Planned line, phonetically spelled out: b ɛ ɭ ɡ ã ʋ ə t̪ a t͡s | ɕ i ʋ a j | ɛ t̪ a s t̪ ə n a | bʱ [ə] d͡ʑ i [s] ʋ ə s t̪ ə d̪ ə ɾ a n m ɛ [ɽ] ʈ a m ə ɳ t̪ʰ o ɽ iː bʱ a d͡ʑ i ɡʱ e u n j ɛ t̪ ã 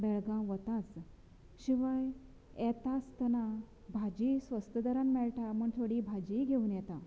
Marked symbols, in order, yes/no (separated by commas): no, yes, no